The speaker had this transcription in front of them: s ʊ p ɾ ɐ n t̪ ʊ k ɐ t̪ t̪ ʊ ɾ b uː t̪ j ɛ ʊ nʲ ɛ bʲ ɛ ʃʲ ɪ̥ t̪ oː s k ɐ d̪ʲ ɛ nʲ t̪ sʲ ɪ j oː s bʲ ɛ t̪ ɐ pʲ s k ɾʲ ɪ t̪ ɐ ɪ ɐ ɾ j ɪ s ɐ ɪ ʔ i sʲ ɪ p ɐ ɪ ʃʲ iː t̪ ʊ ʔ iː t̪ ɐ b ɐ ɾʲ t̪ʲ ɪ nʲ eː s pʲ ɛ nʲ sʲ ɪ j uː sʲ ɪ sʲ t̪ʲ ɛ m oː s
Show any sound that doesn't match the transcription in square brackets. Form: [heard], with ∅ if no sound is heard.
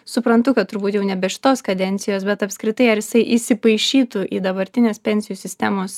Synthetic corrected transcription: s ʊ p ɾ ɐ n t̪ ʊ k ɐ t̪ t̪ ʊ ɾ b uː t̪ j ɛ ʊ nʲ ɛ bʲ ɛ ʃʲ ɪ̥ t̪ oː s k ɐ d̪ʲ ɛ nʲ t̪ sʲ ɪ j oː s bʲ ɛ t̪ ɐ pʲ s k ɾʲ ɪ t̪ ɐ ɪ ɐ ɾ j ɪ s ɐ ɪ ʔ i sʲ ɪ p ɐ ɪ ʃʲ iː t̪ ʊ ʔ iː [d̪] ɐ b ɐ ɾʲ t̪ʲ ɪ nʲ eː s pʲ ɛ nʲ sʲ ɪ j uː sʲ ɪ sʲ t̪ʲ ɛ m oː s